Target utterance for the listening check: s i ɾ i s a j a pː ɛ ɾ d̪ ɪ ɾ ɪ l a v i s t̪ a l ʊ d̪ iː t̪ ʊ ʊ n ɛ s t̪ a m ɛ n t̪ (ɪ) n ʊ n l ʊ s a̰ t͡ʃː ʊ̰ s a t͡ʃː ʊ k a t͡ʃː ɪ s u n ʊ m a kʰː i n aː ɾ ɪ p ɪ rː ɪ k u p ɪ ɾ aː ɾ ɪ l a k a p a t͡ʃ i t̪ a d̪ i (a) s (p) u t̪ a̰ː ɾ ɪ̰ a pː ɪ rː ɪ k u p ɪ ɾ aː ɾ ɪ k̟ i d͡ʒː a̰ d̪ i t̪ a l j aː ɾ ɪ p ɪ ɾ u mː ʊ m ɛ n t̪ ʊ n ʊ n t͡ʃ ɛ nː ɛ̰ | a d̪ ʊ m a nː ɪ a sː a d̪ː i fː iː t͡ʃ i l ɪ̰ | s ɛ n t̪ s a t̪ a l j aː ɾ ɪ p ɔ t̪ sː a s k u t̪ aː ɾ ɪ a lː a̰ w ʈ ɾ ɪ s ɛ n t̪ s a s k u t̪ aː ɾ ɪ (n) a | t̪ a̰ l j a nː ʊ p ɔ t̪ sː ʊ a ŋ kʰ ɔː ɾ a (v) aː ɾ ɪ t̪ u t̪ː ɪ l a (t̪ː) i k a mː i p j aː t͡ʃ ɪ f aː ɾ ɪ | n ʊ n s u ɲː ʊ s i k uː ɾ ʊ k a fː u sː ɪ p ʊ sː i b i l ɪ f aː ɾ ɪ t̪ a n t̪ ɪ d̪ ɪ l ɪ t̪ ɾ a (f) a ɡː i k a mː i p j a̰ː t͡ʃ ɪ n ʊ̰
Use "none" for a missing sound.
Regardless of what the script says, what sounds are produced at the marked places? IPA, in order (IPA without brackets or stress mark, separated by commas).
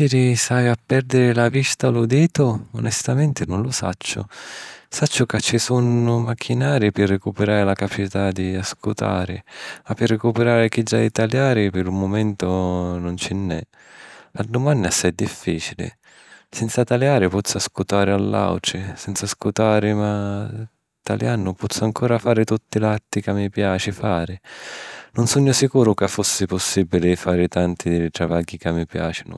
ɪ, a, k, m, f, t̪ː, v